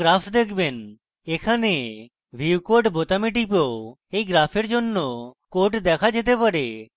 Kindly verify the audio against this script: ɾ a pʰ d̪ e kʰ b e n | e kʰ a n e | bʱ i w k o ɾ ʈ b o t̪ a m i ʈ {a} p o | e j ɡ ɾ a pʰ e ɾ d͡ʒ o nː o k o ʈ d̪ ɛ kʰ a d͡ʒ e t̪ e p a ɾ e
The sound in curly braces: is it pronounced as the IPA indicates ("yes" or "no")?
no